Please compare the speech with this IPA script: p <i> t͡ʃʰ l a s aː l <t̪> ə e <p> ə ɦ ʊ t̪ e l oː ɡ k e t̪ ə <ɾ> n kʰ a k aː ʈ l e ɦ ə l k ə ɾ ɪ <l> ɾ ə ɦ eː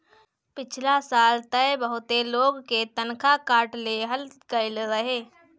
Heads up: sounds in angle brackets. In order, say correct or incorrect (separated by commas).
incorrect, correct, incorrect, incorrect, correct